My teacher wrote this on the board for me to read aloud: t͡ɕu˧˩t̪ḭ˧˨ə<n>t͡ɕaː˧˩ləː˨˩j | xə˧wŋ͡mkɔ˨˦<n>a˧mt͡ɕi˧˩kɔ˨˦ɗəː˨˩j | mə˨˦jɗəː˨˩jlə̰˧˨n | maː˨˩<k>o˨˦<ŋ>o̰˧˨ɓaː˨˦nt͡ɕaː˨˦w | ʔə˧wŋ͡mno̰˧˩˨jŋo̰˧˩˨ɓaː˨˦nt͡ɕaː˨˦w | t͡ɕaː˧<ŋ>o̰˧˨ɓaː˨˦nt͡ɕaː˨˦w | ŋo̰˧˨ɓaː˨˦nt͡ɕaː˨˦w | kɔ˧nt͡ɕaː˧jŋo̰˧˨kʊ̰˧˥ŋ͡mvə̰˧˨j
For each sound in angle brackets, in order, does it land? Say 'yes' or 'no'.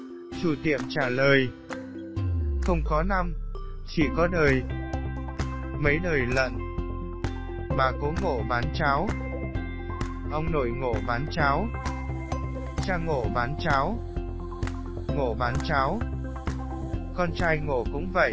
no, yes, yes, yes, yes

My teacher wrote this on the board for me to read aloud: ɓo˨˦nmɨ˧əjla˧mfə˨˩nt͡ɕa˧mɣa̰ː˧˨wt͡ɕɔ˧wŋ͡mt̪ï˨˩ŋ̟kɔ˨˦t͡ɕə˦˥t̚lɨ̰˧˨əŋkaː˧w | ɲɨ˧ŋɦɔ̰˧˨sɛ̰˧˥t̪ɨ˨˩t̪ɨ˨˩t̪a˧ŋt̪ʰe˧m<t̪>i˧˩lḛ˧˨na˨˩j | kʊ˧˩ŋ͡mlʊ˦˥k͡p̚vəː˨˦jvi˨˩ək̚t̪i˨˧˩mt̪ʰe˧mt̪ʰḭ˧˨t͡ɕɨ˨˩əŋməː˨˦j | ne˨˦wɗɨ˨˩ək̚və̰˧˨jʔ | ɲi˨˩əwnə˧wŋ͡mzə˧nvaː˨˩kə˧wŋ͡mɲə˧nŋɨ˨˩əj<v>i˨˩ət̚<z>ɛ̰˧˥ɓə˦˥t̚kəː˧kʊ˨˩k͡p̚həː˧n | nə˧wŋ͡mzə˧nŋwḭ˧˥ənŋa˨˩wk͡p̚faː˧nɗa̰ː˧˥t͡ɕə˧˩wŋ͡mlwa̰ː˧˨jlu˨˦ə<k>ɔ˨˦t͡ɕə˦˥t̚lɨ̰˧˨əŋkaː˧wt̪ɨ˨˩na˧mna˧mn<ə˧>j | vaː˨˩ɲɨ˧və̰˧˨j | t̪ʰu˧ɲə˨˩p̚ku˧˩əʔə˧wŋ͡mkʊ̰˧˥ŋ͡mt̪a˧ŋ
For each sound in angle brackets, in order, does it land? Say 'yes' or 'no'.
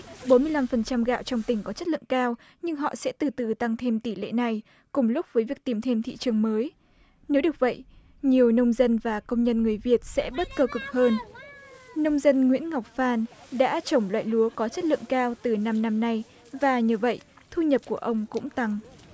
yes, yes, no, yes, no

